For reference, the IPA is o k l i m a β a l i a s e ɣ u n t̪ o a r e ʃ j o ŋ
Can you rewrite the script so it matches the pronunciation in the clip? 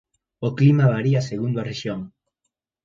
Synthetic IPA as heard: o k l i m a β a ɾ i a s e ɣ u n d̪ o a r e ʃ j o ŋ